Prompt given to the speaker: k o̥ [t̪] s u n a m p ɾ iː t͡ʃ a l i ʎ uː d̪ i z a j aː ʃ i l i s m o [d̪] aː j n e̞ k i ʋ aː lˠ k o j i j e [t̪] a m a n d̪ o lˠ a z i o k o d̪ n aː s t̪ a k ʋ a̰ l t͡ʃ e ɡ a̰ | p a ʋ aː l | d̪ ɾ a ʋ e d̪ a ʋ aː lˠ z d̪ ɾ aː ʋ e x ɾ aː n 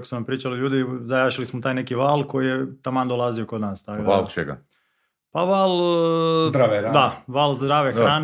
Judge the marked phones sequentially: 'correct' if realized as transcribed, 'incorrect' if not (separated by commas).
incorrect, incorrect, correct